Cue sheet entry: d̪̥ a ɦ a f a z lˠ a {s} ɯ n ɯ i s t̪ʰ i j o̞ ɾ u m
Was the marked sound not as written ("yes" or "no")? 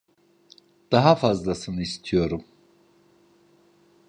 no